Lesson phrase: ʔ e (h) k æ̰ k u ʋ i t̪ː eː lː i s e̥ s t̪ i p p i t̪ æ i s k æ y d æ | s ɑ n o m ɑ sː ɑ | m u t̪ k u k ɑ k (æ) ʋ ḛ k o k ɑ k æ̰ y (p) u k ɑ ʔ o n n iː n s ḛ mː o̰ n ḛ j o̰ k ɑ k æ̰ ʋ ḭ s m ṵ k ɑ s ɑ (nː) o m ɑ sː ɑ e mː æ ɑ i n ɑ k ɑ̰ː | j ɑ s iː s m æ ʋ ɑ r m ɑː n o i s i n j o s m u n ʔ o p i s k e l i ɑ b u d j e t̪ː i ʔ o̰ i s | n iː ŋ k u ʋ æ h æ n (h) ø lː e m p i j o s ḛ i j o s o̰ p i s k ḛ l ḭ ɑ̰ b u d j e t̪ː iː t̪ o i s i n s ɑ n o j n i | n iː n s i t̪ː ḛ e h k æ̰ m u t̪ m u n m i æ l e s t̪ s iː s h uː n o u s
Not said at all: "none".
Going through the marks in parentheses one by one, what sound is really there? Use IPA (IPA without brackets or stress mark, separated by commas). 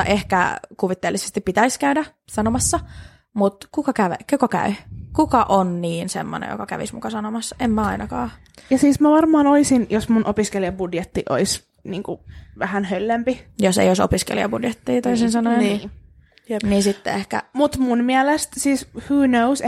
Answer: h, æ, k, n, h